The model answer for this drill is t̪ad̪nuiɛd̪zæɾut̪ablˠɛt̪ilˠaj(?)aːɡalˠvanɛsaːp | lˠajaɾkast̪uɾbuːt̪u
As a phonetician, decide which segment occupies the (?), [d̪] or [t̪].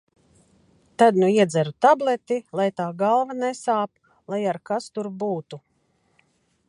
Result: t̪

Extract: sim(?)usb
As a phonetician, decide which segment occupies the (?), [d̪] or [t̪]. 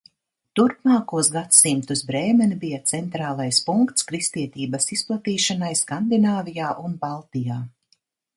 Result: t̪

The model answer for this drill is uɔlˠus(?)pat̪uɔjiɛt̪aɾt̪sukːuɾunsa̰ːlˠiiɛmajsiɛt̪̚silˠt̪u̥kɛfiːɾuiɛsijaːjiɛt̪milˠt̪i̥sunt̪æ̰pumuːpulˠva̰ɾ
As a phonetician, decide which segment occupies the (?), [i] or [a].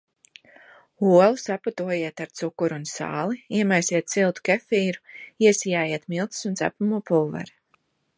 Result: a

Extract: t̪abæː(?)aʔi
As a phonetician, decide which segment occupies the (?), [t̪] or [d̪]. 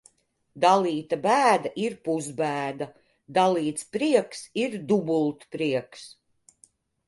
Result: d̪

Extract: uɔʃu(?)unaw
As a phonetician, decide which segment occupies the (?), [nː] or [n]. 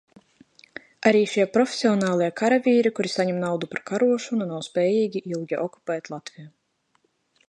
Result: n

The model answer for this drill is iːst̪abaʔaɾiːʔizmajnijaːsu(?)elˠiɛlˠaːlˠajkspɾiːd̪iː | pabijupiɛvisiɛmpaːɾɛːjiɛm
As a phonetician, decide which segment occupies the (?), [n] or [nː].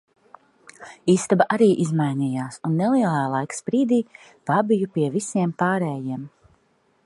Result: nː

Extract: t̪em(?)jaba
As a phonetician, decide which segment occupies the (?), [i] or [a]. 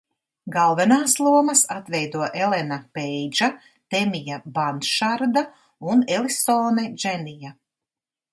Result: i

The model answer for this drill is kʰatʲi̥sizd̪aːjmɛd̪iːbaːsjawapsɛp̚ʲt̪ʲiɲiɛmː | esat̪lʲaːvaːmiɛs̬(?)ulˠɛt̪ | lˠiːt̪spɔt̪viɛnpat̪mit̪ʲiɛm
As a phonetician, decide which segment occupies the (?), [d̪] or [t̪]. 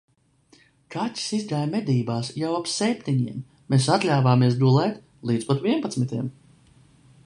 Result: d̪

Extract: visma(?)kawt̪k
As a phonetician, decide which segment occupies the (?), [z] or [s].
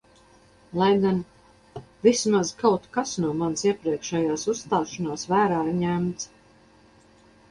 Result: z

